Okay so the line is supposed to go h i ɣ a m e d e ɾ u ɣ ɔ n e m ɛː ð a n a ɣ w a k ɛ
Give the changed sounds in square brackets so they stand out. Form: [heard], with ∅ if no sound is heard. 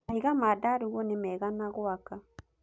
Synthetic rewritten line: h i ɣ a m [a] d [a] ɾ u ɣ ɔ n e m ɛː [ɣ] a n a ɣ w a k [a]

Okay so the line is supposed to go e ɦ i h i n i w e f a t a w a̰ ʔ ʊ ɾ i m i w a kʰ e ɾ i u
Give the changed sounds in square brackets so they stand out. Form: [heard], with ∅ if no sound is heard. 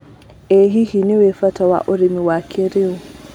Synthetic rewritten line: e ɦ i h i n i w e f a t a w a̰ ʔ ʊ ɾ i m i w a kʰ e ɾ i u

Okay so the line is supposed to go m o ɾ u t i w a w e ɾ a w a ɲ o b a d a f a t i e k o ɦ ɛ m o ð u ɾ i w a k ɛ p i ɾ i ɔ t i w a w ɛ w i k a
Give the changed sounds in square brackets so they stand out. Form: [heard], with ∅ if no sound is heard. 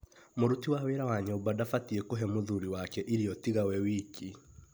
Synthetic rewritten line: m o ɾ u t i w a w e ɾ a w a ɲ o b a d a f a t i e k o ɦ ɛ m o ð u ɾ i w a k ɛ [ʔ] i ɾ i ɔ t i [ɣ] a w ɛ w i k [i]

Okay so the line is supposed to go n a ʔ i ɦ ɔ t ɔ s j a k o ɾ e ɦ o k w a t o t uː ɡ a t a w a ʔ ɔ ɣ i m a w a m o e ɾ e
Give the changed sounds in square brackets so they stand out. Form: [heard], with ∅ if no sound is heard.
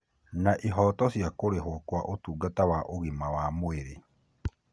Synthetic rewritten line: n a ʔ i ɦ ɔ t ɔ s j a k o ɾ e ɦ o k w a [ʔ] o t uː ɡ a t a w a ʔ [o] ɣ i m a w a m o e ɾ e

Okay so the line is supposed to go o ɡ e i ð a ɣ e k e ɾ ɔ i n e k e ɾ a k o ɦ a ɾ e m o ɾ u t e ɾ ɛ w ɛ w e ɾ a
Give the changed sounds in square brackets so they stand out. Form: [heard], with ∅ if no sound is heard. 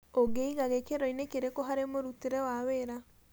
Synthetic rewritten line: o ɡ e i [ɣ] a ɣ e k e ɾ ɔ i n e k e ɾ [e] k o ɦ a ɾ e m o ɾ u t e ɾ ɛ w [a] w e ɾ a

